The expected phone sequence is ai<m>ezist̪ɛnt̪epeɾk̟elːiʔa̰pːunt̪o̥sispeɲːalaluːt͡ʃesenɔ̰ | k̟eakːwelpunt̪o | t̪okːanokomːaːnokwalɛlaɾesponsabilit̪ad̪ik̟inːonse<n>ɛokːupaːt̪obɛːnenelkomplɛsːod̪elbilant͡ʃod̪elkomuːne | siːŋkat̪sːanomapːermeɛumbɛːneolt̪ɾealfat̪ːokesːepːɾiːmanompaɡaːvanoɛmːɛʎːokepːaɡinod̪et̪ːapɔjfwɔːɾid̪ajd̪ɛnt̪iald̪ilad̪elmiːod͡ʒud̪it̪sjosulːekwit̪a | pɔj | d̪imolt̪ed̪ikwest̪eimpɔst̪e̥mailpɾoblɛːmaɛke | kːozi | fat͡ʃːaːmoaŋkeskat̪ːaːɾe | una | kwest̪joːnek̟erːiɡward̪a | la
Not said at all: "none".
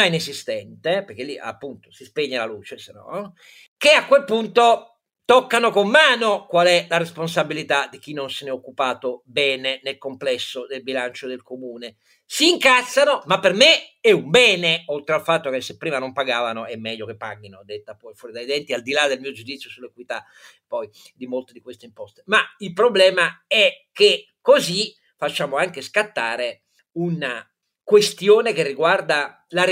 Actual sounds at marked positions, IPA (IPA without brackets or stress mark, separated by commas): n, n